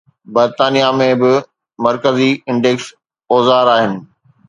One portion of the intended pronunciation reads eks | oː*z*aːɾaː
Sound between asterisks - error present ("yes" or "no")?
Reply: no